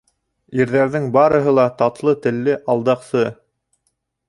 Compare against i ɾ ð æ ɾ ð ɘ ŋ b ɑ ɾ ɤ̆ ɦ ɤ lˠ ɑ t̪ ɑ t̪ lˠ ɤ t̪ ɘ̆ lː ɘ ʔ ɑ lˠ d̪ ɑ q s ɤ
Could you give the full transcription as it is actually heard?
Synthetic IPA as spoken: i ɾ ð æ ɾ ð ɘ ŋ b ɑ ɾ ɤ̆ ɦ ɤ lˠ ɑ t̪ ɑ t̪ lˠ ɤ t̪ ɘ̆ lː ɘ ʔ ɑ lˠ d̪ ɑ q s ɤ